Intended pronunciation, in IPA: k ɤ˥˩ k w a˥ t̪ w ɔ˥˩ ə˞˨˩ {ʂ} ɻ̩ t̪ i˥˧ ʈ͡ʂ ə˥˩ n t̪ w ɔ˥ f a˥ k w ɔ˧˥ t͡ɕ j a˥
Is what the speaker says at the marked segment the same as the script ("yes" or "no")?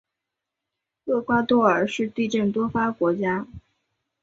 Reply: yes